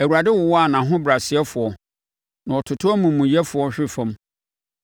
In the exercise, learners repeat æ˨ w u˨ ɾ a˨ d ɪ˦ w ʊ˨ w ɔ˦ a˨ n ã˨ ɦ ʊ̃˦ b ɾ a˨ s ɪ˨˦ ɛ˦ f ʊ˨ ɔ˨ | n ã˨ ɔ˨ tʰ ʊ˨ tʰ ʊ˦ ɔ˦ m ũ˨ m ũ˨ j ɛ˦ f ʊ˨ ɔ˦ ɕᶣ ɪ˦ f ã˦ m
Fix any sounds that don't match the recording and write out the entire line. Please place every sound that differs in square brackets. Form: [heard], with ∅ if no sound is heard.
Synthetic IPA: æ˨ w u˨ ɾ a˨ d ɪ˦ w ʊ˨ w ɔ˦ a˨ n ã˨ ɦ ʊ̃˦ b ɾ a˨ s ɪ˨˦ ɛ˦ f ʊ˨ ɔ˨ | n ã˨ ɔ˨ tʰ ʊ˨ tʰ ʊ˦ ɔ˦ m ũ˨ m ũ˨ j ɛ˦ f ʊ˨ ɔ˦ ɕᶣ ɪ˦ f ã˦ m